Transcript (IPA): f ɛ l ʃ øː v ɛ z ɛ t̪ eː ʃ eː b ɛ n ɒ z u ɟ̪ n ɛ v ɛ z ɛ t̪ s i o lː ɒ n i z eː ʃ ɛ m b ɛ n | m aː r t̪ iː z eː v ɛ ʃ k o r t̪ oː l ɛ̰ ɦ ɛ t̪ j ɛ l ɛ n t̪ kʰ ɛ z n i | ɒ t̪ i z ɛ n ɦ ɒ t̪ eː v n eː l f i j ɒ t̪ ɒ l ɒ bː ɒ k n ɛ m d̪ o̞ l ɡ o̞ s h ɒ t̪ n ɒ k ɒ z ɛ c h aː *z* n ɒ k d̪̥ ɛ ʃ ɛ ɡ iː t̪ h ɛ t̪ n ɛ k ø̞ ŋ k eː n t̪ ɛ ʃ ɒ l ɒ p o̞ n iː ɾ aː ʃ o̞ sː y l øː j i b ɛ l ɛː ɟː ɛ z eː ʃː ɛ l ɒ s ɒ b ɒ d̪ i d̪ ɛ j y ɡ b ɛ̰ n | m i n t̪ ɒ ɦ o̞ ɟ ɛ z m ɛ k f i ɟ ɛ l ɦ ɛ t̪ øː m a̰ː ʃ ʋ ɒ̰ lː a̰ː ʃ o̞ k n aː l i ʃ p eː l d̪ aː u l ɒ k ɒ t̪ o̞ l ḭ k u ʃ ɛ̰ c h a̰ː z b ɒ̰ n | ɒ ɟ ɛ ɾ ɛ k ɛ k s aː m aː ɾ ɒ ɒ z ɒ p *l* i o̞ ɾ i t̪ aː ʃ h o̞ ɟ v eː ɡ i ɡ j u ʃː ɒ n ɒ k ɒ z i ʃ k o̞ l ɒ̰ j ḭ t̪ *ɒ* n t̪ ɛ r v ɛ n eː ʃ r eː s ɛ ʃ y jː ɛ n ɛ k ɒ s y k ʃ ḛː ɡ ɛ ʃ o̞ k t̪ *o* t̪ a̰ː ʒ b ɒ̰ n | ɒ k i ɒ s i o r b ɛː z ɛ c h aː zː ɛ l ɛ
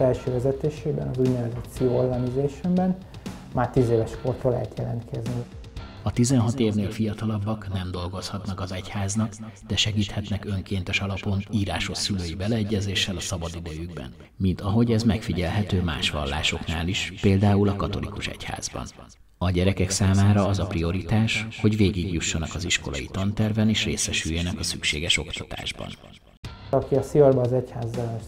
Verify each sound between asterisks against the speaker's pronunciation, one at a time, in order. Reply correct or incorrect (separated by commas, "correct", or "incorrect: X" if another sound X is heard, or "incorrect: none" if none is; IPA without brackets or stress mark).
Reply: correct, incorrect: r, correct, incorrect: ɒ